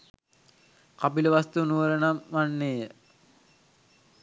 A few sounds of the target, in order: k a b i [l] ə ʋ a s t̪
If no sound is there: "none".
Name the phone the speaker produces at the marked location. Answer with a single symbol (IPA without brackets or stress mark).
l